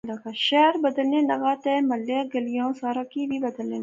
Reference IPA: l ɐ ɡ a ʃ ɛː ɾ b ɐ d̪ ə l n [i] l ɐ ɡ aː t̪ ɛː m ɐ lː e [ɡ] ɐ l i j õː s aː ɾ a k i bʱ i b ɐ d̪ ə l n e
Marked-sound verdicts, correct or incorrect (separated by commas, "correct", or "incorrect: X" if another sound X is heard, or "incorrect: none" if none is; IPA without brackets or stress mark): incorrect: e, correct